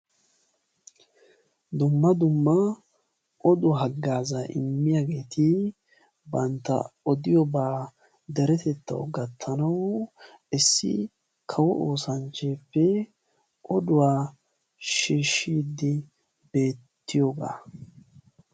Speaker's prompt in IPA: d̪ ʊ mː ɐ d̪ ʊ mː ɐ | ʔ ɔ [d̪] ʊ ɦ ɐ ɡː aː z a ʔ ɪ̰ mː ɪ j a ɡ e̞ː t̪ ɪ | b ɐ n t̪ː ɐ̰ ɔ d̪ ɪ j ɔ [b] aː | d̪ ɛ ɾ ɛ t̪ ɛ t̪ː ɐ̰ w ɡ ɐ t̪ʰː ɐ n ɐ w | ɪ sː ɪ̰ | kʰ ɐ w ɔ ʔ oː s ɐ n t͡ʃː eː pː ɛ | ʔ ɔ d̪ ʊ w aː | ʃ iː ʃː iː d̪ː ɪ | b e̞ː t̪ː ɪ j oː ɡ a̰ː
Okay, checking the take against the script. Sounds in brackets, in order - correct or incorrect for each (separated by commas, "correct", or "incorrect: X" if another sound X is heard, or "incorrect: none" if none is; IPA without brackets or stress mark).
correct, correct